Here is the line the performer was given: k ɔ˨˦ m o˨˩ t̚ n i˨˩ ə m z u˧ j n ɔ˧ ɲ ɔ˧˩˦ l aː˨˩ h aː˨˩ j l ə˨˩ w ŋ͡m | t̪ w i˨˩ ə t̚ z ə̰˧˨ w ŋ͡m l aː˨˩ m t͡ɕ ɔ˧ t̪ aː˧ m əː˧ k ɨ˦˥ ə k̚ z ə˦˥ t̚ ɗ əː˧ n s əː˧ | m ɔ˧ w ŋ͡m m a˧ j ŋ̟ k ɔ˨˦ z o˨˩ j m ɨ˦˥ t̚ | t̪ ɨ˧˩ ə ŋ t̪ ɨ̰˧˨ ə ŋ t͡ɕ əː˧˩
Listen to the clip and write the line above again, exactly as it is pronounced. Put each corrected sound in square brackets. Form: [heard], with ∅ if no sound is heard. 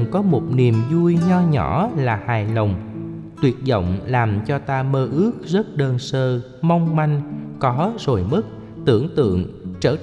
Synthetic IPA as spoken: k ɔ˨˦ m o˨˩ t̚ n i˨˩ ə m z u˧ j [ɲ] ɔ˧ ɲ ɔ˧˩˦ l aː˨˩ h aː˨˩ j l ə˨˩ w ŋ͡m | t̪ w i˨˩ ə t̚ z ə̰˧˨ w ŋ͡m l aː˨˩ m t͡ɕ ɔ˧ t̪ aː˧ m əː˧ [ʔ] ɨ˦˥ ə k̚ z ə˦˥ t̚ ɗ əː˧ n s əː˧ | m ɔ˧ w ŋ͡m m a˧ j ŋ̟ k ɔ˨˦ z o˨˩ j m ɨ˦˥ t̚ | t̪ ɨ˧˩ ə ŋ t̪ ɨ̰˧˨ ə ŋ t͡ɕ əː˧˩